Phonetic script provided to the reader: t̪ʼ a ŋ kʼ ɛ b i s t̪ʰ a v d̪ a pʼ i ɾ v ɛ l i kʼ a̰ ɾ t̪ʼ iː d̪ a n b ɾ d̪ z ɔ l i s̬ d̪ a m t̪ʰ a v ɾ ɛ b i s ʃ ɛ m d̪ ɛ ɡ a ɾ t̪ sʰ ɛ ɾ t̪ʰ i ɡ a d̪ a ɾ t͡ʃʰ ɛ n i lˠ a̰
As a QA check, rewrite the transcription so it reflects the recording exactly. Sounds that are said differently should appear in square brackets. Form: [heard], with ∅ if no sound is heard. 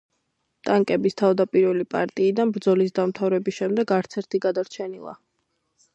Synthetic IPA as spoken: t̪ʼ a ŋ kʼ ɛ b i s t̪ʰ a v d̪ a pʼ i ɾ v ɛ l i [pʼ] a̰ ɾ t̪ʼ iː d̪ a n b ɾ d̪ z ɔ l i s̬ d̪ a m t̪ʰ a v ɾ ɛ b i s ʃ ɛ m d̪ ɛ ɡ a ɾ t̪ sʰ ɛ ɾ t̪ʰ i ɡ a d̪ a ɾ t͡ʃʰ ɛ n i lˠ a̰